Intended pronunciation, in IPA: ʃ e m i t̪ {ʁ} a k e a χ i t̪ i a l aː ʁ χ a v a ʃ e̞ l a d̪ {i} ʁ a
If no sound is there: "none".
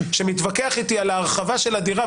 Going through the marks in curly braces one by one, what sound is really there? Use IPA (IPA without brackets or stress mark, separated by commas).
v, i